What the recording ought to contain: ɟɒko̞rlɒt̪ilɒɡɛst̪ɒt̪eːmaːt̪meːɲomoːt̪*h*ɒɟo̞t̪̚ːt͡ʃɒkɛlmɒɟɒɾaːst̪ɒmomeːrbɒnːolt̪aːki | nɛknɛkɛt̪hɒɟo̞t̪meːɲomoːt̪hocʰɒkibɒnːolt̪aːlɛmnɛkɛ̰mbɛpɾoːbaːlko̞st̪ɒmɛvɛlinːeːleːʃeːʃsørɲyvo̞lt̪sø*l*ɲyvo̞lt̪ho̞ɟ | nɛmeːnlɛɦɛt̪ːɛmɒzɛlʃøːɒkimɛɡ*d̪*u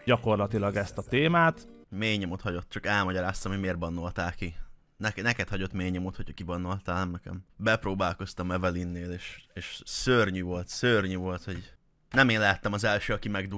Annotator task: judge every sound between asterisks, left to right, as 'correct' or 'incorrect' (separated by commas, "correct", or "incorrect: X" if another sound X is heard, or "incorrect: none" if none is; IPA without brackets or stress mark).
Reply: correct, incorrect: r, correct